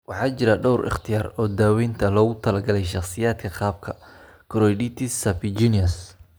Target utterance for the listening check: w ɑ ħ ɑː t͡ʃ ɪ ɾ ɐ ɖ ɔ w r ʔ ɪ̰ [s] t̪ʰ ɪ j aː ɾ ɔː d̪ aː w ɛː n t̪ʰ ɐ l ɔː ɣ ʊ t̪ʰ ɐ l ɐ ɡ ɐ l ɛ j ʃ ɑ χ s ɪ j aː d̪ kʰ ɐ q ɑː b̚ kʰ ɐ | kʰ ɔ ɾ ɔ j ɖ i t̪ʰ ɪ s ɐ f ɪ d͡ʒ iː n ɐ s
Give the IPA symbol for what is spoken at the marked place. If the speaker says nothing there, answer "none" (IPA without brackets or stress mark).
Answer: χ